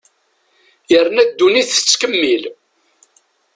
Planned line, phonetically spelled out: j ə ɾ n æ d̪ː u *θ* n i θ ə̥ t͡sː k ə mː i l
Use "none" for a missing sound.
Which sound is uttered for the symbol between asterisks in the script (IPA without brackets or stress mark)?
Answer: none